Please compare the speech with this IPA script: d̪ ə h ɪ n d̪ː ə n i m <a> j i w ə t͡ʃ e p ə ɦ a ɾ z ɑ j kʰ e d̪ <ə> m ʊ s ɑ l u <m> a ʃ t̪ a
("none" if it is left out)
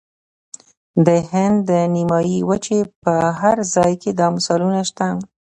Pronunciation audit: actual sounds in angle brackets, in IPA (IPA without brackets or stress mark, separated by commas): ɑ, ɑ, n